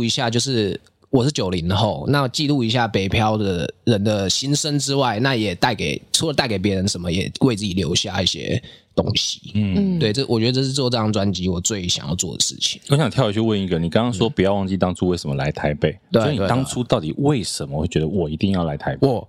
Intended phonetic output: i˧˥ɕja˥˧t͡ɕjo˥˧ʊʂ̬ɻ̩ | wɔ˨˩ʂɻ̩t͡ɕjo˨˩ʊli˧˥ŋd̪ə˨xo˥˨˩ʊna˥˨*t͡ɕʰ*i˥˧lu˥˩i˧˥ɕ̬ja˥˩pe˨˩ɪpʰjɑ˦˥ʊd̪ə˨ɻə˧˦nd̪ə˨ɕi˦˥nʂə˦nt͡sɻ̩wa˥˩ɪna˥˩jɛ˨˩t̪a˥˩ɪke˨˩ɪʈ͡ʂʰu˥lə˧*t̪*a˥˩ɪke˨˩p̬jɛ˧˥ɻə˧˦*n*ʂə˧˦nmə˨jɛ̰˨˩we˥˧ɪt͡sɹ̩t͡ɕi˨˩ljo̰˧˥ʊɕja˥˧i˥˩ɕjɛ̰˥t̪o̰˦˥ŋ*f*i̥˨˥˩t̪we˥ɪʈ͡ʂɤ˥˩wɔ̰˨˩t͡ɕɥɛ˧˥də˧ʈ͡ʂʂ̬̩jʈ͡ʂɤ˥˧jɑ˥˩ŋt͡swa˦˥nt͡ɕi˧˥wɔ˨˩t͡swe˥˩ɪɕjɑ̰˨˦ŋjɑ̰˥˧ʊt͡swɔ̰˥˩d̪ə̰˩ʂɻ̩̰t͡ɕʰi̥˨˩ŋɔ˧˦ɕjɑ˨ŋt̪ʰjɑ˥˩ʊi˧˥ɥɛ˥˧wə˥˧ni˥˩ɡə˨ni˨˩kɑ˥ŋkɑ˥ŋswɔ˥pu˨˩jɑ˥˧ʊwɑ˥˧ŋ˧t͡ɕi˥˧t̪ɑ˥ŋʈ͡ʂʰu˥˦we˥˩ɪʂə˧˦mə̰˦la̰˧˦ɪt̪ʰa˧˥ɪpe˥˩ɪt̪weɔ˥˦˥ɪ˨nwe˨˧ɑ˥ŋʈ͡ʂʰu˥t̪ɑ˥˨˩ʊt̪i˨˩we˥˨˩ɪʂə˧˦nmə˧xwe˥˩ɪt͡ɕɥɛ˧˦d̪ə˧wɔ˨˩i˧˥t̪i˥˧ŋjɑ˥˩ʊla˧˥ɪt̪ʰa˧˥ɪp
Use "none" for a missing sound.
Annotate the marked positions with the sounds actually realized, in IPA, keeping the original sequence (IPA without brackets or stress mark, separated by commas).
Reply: t͡ɕ, t̪, n, ɕ